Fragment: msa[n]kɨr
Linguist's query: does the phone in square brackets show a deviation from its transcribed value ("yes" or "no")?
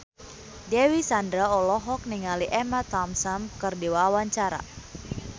yes